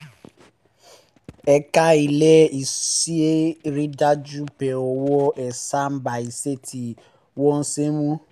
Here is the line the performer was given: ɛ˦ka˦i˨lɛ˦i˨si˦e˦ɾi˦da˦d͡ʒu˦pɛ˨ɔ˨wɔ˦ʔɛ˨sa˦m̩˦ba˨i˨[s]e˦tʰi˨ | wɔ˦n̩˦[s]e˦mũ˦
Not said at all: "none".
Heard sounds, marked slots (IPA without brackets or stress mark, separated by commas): s, s